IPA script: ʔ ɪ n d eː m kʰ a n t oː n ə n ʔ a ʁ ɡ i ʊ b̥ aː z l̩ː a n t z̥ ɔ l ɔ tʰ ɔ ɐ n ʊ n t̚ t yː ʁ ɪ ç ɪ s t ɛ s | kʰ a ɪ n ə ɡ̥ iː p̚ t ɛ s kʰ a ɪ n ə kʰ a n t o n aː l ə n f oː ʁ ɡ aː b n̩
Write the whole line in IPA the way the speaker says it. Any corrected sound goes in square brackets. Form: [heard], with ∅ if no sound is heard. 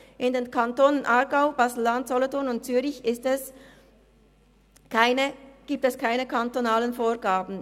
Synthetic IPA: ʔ ɪ n d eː [n] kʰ a n t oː n ə n ʔ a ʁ ɡ [a] ʊ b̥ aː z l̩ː a n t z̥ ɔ l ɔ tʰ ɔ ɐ n ʊ n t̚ [t͡s] yː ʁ ɪ ç ɪ s t ɛ s | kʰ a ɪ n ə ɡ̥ iː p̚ t ɛ s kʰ a ɪ n ə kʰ a n t o n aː l ə n f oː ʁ ɡ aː b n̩